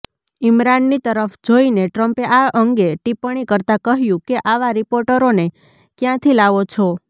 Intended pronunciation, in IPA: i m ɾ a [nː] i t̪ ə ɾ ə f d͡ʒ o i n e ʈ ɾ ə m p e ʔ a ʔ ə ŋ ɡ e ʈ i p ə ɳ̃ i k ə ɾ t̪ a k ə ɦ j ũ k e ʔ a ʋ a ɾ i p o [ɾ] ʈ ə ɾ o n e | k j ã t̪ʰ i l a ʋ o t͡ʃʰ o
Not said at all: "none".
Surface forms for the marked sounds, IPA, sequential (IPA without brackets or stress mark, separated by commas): nː, ɾ